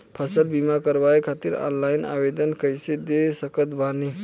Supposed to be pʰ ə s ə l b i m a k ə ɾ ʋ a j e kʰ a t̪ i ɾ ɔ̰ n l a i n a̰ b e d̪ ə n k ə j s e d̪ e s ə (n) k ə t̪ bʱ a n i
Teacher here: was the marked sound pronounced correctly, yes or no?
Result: no